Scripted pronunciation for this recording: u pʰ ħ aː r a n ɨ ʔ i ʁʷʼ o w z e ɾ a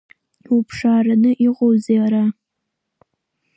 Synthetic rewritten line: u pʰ ʂ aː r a n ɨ ʔ i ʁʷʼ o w z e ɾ a